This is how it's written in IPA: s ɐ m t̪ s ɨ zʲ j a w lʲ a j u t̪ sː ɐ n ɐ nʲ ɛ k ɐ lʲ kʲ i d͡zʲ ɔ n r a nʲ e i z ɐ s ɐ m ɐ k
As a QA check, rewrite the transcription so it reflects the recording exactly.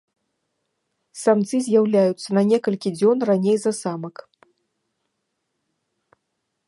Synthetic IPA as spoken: s a m t̪ s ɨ zʲ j a w lʲ a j u t̪ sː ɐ n ɐ nʲ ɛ k ɐ lʲ kʲ i d͡zʲ ɔ n r a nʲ e j z ɐ s a m ɐ k

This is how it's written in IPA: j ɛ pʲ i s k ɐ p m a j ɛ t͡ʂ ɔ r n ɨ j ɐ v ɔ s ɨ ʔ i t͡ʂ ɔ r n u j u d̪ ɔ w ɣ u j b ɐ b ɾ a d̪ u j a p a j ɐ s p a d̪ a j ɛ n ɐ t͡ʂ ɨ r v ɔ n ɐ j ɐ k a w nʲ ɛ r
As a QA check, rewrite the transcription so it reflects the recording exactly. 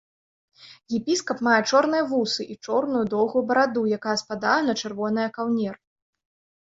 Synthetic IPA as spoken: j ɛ pʲ i s k ɐ p m a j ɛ t͡ʂ ɔ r n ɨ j ɐ v u s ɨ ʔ i t͡ʂ ɔ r n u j u d̪ ɔ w ɣ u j b ɐ ɾ a d̪ u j a k a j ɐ s p a d̪ a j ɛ n ɐ t͡ʂ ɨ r v ɔ n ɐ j ɐ k a w nʲ ɛ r

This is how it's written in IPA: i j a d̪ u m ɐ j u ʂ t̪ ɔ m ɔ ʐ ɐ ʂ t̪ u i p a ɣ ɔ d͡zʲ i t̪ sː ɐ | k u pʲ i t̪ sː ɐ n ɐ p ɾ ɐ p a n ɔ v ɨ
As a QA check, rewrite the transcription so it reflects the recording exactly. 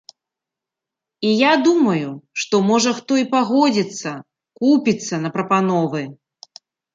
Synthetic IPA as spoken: i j a d̪ u m ɐ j u ʂ t̪ ɔ m ɔ ʐ ɐ x t̪ ɔ i p a ɣ ɔ d͡zʲ i t̪ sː ɐ | k u pʲ i t̪ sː ɐ n ɐ p ɾ ɐ p a n ɔ v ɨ

